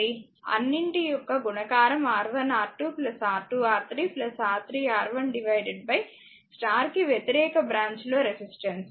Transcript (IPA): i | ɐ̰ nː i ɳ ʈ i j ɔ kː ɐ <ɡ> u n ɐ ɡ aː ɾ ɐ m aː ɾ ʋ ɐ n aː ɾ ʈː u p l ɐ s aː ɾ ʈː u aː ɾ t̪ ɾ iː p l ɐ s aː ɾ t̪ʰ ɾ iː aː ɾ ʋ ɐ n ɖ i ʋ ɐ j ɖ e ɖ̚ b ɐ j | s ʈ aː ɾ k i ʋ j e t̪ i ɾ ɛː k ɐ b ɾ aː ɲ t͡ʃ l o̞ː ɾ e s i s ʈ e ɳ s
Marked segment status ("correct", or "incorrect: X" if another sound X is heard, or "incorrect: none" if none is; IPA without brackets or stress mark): correct